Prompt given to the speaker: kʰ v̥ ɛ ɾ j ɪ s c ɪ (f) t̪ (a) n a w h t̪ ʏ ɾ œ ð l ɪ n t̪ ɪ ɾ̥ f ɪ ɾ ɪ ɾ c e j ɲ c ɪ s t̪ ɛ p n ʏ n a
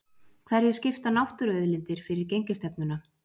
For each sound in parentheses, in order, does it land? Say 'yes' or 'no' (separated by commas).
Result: yes, yes